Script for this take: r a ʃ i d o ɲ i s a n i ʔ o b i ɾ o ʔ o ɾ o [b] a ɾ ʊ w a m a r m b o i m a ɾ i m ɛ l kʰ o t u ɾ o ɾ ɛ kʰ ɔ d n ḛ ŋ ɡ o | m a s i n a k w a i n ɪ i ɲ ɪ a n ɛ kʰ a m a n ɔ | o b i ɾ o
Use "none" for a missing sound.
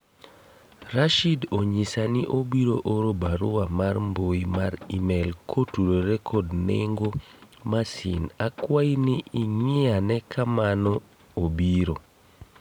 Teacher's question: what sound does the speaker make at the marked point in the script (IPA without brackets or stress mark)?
b